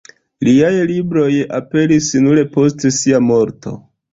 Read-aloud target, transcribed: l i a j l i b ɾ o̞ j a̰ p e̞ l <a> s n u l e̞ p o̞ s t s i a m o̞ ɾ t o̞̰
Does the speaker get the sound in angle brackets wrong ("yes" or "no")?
yes